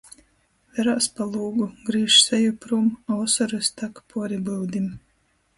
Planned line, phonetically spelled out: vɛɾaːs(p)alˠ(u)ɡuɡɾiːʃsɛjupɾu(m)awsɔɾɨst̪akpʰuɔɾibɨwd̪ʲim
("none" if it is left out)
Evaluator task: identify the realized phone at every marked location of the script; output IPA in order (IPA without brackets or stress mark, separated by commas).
p, uː, m